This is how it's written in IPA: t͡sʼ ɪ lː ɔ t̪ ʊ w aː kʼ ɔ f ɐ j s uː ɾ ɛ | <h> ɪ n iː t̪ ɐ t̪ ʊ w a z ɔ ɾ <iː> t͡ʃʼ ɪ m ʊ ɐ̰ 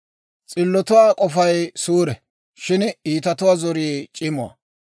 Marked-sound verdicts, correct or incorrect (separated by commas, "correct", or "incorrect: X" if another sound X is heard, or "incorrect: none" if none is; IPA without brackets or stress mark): incorrect: ʃ, correct